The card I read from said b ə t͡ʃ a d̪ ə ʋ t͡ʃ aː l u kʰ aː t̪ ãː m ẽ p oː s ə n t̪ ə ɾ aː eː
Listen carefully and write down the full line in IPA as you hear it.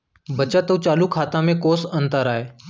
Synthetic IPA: b ə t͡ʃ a t̪ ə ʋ t͡ʃ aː l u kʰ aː t̪ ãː m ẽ k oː s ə n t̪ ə ɾ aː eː